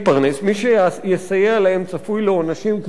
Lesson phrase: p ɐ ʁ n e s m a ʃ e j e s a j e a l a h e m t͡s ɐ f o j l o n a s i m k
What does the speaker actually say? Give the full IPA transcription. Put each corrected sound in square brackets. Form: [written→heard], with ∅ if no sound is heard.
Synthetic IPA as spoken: p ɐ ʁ n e s m [a→i] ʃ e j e s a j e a l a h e m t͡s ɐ f [o→u] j l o n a [s→ʃ] i m k